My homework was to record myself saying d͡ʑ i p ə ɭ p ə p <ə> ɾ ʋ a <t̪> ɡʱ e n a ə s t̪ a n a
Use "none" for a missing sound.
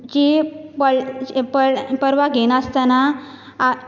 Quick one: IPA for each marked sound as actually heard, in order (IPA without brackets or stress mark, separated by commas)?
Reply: ə, none